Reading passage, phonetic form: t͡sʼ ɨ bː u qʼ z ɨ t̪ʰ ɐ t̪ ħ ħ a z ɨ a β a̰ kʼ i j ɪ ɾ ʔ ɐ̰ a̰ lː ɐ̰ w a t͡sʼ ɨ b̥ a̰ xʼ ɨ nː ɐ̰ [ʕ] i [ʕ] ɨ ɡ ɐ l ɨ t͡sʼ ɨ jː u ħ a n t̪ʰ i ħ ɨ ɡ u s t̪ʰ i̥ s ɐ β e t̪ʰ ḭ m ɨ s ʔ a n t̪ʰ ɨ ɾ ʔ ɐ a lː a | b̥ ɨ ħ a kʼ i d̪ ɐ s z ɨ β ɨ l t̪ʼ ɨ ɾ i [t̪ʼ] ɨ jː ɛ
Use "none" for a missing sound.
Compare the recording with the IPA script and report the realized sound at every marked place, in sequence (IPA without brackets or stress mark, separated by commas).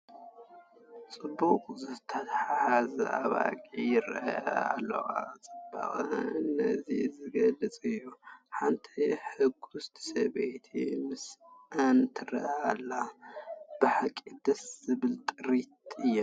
z, z, t̪